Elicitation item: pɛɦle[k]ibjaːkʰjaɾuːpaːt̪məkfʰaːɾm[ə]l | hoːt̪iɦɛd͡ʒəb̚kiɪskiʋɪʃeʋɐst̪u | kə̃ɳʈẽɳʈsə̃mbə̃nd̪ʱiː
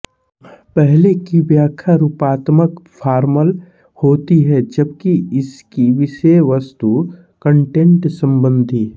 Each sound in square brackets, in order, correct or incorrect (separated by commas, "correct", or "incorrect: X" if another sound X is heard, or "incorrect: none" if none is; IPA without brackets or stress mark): correct, correct